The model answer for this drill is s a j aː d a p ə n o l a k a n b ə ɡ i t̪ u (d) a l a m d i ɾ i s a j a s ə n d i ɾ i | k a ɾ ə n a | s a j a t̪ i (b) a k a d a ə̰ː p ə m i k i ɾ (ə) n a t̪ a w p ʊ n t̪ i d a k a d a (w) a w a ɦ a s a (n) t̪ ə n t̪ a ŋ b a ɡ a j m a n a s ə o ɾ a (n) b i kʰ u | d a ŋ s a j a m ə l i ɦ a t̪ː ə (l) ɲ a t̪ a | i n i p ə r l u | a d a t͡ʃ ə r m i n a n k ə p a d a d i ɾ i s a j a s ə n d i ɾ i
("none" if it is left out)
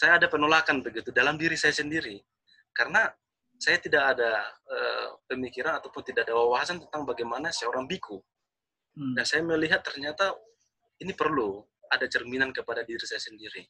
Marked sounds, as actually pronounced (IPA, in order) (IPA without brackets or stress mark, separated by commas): d, d, a, w, n, ŋ, r